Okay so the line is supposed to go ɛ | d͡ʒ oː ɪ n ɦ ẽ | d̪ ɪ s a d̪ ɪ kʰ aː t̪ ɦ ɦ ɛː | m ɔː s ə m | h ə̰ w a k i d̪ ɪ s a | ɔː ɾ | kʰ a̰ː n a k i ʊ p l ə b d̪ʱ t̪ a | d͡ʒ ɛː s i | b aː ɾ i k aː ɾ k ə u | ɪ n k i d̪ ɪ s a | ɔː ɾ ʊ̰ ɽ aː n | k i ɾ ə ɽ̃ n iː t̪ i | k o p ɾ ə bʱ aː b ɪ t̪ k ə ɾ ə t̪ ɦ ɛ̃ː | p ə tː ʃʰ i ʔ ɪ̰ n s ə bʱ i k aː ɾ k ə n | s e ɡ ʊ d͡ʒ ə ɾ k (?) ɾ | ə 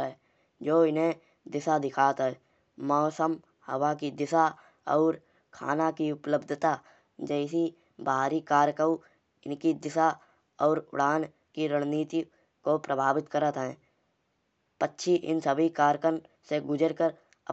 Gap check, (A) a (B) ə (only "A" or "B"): B